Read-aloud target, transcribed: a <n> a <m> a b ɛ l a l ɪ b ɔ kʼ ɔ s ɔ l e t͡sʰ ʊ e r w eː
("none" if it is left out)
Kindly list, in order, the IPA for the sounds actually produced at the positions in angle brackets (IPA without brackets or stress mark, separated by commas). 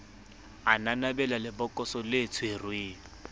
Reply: n, n